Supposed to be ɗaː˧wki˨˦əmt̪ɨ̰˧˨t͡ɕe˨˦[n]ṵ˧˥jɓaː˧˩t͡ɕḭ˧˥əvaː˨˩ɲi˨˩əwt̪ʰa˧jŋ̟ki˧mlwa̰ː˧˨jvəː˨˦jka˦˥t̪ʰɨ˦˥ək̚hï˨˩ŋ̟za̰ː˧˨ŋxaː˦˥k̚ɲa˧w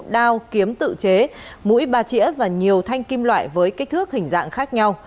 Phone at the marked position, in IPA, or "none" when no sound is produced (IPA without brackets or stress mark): m